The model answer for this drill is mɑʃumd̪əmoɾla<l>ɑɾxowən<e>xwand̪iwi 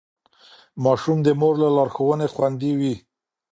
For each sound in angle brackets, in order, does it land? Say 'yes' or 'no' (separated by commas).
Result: yes, yes